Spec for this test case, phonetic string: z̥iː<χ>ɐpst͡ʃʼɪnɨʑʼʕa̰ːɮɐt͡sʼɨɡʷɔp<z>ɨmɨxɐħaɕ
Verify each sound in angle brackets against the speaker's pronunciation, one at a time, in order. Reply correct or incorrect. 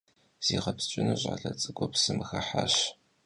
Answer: incorrect, incorrect

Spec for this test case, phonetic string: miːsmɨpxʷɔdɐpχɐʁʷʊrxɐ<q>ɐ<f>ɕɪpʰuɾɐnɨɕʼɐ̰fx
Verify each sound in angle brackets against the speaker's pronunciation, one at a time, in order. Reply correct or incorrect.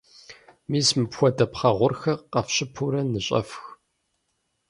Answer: correct, correct

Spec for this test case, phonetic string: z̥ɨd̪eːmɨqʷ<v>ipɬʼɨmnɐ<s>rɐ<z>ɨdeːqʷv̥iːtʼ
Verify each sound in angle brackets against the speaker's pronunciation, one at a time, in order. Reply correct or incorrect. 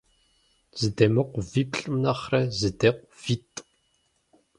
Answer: correct, incorrect, correct

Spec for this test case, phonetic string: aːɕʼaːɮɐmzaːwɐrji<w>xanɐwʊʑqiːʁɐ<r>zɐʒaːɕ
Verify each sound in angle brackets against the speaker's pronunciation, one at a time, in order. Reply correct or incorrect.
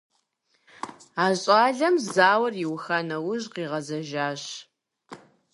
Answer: correct, incorrect

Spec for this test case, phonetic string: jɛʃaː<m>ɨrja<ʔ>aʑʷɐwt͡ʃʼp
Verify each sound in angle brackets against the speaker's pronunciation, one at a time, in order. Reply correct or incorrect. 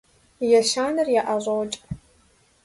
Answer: incorrect, correct

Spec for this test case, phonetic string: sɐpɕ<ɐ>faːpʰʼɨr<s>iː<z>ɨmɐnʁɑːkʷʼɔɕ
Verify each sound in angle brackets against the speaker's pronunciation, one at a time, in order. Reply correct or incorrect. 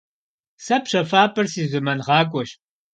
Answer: correct, correct, correct

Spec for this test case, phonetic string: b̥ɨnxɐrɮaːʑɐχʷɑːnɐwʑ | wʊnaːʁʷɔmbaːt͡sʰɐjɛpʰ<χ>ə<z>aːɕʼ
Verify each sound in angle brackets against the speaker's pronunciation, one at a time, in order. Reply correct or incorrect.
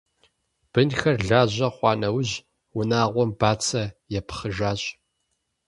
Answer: correct, incorrect

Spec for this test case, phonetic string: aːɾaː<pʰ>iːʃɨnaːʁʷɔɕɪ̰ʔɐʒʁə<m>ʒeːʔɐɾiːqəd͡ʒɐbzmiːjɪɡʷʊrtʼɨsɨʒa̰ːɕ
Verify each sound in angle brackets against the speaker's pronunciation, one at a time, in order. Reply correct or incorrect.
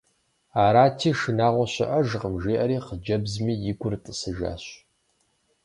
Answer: incorrect, correct

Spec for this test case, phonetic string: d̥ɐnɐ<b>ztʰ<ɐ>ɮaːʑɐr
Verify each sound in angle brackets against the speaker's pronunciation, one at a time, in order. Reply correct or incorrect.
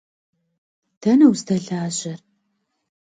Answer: incorrect, correct

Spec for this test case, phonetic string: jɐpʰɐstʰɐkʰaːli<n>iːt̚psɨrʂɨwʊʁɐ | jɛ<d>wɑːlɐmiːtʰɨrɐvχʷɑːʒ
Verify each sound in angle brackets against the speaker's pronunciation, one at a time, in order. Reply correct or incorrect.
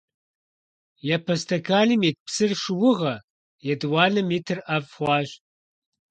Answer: incorrect, correct

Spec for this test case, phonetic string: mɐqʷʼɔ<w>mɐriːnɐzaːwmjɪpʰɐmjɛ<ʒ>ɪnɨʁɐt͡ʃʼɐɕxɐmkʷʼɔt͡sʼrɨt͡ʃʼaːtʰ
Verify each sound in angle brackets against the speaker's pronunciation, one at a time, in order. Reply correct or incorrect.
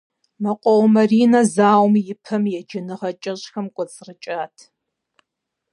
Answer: correct, incorrect

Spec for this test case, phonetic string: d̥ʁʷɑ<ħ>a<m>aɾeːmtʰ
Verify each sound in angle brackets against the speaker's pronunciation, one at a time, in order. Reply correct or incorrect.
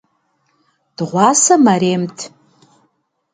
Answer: incorrect, correct

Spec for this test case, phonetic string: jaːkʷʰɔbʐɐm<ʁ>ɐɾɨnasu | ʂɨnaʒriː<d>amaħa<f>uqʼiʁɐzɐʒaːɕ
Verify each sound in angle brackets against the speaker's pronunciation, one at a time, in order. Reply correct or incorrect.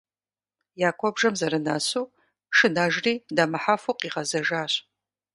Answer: incorrect, correct, correct

